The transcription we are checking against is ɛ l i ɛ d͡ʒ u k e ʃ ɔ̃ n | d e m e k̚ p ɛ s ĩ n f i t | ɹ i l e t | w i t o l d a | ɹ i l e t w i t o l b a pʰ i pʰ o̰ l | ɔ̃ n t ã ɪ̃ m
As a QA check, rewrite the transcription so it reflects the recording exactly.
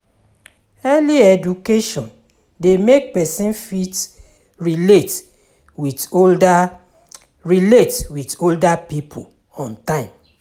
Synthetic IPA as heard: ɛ l i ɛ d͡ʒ u k e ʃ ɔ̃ n | d e m e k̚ p ɛ s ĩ n f i t | ɹ i l e t | w i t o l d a | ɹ i l e t w i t o l d a p i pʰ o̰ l | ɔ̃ n t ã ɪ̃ m